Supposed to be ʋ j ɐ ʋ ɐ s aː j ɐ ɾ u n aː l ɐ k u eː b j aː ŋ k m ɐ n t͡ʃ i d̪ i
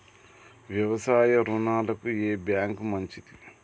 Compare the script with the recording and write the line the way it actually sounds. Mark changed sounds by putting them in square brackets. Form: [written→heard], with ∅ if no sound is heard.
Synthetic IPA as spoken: ʋ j ɐ ʋ ɐ s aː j ɐ ɾ u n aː l ɐ k u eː b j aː ŋ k m ɐ [n→ɲ] t͡ʃ i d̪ i